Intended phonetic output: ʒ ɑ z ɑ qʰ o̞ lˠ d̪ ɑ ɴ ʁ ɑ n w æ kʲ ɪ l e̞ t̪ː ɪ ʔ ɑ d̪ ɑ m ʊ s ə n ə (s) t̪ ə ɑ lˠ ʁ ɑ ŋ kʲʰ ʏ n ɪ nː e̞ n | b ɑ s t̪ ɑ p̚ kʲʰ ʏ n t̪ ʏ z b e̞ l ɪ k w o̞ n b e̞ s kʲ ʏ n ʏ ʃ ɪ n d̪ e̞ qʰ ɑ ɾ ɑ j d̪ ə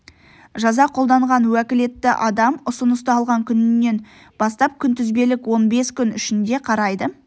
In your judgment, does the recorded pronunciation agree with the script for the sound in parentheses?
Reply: yes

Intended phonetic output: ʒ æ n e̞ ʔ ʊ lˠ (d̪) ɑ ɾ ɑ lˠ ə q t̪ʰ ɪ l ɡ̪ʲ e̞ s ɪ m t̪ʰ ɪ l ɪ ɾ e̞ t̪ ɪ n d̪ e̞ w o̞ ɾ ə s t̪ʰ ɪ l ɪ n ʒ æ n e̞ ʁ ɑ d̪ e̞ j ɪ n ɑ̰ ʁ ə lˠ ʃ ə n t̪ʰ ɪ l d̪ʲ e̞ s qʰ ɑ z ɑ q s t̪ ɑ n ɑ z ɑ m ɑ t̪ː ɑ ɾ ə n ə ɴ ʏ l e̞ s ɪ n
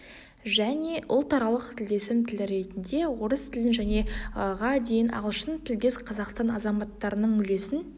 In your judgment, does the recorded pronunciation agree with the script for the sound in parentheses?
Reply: no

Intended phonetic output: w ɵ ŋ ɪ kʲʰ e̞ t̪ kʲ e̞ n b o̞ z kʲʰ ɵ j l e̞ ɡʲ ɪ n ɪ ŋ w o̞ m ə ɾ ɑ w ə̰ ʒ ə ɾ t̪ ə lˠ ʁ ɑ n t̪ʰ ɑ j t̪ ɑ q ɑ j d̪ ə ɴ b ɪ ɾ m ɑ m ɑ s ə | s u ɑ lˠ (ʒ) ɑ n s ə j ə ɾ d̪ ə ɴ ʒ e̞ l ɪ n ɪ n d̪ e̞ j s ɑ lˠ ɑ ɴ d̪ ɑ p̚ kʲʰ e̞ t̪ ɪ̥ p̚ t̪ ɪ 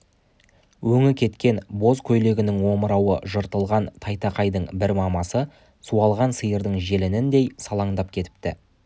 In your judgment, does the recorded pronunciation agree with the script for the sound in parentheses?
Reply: no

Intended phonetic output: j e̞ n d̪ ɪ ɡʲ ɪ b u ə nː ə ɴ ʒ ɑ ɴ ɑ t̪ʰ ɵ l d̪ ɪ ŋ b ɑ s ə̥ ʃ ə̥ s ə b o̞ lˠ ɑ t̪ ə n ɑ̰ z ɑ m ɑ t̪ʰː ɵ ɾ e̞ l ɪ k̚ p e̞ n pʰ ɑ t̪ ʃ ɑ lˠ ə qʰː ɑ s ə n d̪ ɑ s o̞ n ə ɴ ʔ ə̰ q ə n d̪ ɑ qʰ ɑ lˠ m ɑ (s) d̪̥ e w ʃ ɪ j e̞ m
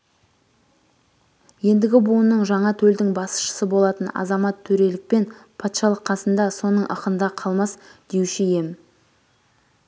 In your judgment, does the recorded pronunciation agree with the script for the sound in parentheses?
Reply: yes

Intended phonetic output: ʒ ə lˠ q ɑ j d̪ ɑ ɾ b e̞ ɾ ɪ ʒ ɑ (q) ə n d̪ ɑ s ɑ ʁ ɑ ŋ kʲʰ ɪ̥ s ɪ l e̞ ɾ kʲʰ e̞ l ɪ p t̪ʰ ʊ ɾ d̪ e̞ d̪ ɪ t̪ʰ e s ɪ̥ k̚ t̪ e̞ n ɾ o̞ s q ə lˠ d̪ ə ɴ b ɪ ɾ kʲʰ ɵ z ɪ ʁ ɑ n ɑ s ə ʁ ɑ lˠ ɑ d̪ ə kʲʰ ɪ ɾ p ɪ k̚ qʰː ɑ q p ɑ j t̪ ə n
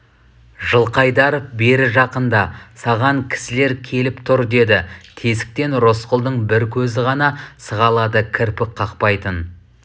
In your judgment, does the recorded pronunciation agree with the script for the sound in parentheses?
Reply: yes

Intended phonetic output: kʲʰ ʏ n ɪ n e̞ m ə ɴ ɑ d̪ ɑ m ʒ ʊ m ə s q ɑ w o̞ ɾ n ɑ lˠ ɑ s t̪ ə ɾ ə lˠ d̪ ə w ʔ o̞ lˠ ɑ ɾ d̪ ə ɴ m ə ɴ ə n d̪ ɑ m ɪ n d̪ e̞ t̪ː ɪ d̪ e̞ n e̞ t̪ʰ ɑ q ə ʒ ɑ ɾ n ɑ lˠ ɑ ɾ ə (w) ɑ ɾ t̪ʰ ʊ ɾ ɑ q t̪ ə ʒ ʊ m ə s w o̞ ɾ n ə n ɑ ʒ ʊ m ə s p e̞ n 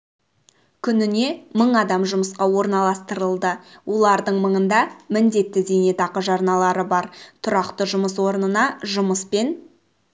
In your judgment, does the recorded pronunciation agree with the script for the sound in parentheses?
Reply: no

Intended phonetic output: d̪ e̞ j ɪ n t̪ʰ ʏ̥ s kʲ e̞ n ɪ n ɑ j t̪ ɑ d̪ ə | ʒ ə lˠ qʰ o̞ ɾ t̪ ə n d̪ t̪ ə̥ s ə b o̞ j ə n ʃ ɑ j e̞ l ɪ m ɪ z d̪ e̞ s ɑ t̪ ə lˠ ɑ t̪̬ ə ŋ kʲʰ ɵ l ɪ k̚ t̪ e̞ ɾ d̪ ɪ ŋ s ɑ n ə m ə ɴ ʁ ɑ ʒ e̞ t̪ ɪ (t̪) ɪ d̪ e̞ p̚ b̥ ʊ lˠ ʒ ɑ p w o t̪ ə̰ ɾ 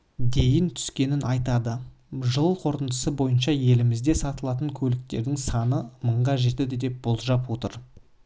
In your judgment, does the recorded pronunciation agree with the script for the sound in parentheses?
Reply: no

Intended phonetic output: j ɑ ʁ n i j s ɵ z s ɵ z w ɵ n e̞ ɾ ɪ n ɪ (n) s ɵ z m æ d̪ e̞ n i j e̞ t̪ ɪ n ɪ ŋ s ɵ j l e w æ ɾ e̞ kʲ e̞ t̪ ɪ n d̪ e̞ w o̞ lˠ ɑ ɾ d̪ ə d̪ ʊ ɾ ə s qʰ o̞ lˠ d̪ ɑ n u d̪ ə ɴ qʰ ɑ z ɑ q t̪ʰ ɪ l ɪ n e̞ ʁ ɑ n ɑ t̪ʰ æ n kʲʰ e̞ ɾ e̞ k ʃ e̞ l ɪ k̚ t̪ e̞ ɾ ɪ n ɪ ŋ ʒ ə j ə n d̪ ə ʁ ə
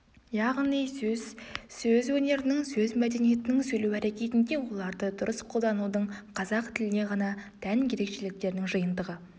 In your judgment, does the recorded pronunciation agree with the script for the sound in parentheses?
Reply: no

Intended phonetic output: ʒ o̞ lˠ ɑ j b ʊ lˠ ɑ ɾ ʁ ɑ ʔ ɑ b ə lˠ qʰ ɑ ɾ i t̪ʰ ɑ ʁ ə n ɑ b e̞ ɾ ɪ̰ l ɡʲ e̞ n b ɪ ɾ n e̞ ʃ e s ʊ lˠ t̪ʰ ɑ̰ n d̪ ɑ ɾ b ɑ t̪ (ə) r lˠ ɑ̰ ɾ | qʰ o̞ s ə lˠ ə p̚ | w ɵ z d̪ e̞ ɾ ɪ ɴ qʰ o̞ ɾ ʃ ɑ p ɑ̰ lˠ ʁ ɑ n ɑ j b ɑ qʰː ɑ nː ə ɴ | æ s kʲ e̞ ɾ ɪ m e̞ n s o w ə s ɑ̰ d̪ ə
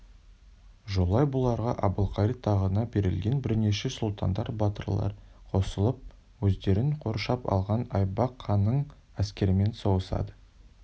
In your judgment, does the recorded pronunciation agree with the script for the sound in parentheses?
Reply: yes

